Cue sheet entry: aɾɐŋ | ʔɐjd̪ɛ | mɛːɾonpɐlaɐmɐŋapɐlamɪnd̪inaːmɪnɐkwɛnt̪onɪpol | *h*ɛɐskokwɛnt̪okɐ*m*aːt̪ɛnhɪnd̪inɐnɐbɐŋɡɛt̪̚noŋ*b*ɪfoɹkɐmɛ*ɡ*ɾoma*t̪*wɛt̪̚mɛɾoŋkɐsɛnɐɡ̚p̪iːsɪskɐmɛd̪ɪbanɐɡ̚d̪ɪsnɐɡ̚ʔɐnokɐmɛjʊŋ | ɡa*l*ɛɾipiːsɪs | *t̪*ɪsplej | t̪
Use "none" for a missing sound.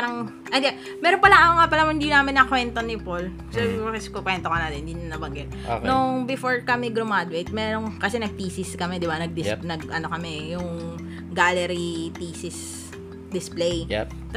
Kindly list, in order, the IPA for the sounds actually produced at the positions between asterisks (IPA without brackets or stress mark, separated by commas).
s, n, b, ɡ, d̪, l, d̪